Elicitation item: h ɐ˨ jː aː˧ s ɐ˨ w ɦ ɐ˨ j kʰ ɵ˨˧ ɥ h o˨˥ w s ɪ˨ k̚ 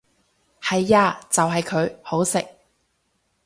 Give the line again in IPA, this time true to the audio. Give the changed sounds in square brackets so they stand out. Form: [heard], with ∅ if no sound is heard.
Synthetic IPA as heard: h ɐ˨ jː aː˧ [t͡s] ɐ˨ w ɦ ɐ˨ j kʰ ɵ˨˧ ɥ h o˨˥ w s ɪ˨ k̚